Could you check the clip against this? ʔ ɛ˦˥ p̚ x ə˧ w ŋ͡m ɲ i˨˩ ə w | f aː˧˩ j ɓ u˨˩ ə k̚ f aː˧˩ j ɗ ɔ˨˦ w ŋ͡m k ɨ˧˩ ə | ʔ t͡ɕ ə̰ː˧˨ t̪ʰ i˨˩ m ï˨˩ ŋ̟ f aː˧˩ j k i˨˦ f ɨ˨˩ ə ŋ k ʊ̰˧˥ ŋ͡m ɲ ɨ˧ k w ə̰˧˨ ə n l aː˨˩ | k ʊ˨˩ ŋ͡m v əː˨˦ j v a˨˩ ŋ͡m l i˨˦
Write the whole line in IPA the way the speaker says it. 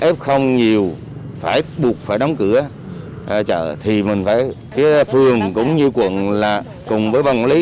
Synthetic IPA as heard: ʔ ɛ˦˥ p̚ x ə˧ w ŋ͡m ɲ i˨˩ ə w | f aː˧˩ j ɓ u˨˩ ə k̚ f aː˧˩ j ɗ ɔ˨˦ w ŋ͡m k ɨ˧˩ ə | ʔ t͡ɕ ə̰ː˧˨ t̪ʰ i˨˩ m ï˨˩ ŋ̟ f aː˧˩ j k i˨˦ f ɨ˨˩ ə ŋ k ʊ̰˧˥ ŋ͡m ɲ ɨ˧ k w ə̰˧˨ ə n l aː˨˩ | k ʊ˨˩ ŋ͡m v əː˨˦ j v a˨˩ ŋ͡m l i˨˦